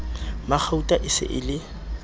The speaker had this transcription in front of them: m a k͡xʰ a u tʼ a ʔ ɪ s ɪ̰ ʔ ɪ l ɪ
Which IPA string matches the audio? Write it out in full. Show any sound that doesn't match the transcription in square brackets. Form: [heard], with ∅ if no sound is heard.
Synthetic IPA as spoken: m a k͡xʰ a u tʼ a ʔ ɪ s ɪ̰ ʔ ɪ l ɪ